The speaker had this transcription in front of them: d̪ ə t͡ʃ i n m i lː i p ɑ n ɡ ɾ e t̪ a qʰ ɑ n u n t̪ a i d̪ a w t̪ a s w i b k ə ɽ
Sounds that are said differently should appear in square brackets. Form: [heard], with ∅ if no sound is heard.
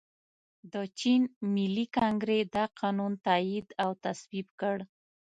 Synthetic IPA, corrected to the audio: d̪ ə t͡ʃ i n m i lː i [k] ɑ [ŋ] ɡ ɾ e [d̪] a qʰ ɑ n u n t̪ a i d̪ a w t̪ a s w i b k ə ɽ